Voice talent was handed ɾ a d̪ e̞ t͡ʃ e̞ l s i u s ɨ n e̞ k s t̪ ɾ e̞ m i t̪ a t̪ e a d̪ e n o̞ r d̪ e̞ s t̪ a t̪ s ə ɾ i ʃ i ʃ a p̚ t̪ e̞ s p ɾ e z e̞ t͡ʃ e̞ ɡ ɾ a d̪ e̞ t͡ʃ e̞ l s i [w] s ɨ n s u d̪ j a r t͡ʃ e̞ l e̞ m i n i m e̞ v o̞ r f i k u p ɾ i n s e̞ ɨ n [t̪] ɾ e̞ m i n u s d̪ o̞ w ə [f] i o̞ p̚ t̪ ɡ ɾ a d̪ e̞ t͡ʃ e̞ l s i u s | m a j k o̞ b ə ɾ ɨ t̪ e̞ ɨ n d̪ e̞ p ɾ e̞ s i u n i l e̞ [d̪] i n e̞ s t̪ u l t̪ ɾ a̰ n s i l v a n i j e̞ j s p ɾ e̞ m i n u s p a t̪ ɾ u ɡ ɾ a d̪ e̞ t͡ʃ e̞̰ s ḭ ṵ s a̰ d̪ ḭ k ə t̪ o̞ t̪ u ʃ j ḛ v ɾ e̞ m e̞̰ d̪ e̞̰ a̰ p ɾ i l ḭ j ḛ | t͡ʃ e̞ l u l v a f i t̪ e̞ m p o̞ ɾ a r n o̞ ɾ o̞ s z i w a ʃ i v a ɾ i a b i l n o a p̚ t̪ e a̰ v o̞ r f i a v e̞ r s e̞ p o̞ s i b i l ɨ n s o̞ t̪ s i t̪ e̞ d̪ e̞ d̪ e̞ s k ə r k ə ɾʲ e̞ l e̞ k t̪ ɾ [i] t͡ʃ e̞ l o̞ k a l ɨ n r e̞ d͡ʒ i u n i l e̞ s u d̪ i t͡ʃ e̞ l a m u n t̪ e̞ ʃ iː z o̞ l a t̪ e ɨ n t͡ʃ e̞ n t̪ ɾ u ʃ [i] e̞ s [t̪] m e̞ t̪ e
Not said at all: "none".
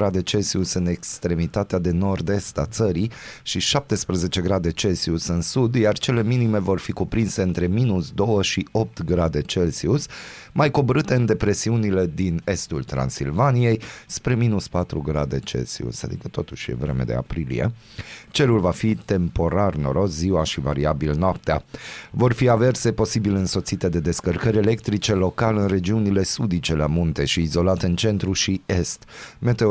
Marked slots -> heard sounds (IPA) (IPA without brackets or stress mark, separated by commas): u, t̪, ʃ, d̪, i, i, t̪